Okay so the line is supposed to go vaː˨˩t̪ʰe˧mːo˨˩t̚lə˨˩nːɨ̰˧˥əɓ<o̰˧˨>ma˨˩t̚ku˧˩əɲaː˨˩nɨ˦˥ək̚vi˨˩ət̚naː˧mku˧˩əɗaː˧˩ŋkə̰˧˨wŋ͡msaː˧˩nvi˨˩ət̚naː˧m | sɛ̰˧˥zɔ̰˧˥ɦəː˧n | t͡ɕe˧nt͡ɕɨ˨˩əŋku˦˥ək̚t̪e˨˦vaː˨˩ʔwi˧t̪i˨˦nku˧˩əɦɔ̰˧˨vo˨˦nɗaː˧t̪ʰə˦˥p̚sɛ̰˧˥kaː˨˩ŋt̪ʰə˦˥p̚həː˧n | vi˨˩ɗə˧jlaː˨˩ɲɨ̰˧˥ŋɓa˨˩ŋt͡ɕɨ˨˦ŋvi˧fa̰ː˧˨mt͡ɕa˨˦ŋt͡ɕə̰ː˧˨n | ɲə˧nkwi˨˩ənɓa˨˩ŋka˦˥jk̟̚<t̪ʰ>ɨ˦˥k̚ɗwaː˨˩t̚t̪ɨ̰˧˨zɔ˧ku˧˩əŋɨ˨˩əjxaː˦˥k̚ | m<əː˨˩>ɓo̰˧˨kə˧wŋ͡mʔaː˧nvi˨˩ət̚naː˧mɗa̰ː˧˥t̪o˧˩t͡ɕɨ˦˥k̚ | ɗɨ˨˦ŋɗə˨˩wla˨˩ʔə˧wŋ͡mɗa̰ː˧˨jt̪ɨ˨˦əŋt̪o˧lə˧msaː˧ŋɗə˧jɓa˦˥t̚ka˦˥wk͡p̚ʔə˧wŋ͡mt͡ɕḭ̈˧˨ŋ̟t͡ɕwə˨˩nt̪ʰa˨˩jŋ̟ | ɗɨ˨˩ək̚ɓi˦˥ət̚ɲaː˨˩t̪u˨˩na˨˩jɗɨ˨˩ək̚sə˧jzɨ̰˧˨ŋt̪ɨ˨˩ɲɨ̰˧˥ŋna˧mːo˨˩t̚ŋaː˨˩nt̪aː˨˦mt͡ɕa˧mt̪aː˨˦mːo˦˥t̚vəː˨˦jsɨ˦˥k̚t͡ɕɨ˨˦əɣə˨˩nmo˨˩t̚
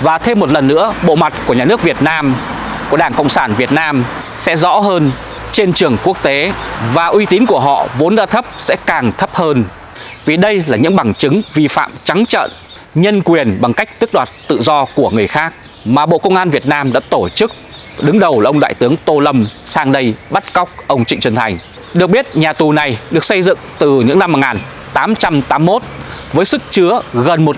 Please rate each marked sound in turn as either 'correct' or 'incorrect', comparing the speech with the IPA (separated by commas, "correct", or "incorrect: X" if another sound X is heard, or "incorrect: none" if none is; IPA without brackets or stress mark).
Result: correct, incorrect: t̪, incorrect: aː˨˩